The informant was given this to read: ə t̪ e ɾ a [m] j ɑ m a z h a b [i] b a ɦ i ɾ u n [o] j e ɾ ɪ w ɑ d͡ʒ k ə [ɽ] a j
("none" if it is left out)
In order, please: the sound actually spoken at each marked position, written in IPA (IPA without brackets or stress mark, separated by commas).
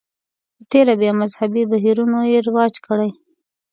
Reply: b, i, o, ɽ